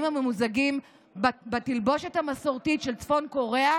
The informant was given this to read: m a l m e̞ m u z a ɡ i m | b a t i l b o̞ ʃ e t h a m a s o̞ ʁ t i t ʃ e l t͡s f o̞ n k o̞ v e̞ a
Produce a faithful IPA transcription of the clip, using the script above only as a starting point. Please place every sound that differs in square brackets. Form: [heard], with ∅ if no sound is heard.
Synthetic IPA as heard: m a [∅] m e̞ m u z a ɡ i m | b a t i l b o̞ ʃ e t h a m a s o̞ ʁ t i t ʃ e l t͡s f o̞ n k o̞ [ʁ] e̞ a